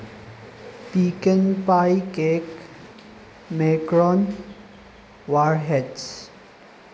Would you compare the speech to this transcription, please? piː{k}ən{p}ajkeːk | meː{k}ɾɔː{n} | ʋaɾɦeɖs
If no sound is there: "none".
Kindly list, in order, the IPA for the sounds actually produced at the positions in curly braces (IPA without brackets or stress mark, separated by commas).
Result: k, p, k, n